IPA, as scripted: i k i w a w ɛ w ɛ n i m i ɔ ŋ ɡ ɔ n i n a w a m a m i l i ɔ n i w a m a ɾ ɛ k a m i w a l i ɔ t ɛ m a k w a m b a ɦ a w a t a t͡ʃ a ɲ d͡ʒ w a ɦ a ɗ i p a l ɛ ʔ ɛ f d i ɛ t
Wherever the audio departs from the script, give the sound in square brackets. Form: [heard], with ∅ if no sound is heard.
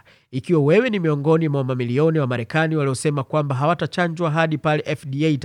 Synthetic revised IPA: i k i w a w ɛ w ɛ n i m i ɔ ŋ ɡ ɔ n i [m] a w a m a m i l i ɔ n i w a m a ɾ ɛ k a [n] i w a l i ɔ [s] ɛ m a k w a m b a ɦ a w a t a t͡ʃ a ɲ d͡ʒ w a ɦ a ɗ i p a l ɛ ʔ ɛ f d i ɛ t